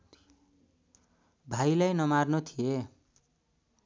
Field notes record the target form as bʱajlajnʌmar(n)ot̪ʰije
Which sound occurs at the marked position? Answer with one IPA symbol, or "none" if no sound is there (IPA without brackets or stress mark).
n